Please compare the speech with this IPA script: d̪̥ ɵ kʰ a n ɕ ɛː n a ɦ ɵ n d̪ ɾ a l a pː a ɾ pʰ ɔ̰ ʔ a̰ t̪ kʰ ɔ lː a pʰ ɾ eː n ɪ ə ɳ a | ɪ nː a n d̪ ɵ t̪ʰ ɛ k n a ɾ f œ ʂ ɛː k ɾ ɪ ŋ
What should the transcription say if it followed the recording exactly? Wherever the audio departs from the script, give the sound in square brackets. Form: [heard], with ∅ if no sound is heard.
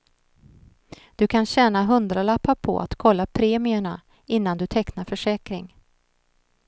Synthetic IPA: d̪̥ ɵ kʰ a n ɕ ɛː n a ɦ ɵ n d̪ ɾ a l a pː a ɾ pʰ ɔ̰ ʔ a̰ t̪ kʰ ɔ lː a pʰ ɾ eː [m] ɪ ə ɳ a | ɪ nː a n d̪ ɵ t̪ʰ ɛ k n a ɾ f œ ʂ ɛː k ɾ ɪ ŋ